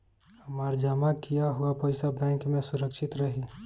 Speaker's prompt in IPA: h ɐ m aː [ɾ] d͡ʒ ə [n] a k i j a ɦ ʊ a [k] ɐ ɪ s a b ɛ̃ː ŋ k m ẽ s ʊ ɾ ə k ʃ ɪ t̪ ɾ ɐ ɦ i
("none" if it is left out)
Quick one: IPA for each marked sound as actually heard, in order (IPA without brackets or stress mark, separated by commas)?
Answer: ɾ, m, p